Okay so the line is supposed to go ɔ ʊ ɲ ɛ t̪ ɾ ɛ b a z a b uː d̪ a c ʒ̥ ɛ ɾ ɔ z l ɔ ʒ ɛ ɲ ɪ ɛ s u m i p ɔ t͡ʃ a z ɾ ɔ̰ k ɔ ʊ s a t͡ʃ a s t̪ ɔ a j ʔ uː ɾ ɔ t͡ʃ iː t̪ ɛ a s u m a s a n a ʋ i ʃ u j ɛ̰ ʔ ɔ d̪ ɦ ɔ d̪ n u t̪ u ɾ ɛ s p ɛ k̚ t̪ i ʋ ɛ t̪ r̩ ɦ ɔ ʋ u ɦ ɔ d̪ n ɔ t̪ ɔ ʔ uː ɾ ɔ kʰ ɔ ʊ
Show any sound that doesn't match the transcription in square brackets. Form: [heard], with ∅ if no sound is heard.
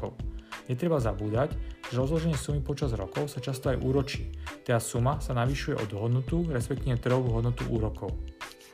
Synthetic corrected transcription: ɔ ʊ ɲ ɛ t̪ ɾ ɛ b a z a b uː d̪ a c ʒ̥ ɛ ɾ ɔ z l ɔ ʒ ɛ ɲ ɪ ɛ s u m i p ɔ t͡ʃ a z ɾ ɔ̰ k ɔ ʊ s a t͡ʃ a s t̪ ɔ a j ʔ uː ɾ ɔ t͡ʃ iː t̪ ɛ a s u m a s a n a ʋ i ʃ u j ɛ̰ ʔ ɔ d̪ ɦ ɔ d̪ n u t̪ u ɾ ɛ s p ɛ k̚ t̪ i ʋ ɛ t̪ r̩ ɦ ɔ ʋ u ɦ ɔ d̪ n ɔ t̪ [u] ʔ uː ɾ ɔ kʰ ɔ ʊ